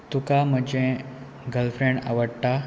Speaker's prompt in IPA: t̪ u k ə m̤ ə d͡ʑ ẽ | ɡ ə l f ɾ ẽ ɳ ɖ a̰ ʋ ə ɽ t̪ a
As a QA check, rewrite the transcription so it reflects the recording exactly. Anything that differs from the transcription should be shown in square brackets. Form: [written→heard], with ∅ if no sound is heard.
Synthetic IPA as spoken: t̪ u k [ə→a] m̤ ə d͡ʑ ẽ | ɡ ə l f ɾ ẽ ɳ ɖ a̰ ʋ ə ɽ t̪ a